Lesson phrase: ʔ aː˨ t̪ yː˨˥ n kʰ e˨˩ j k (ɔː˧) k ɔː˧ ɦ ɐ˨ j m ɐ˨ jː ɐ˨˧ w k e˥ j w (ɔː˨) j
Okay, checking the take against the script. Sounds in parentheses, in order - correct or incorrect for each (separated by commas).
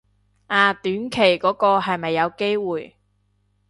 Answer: incorrect, incorrect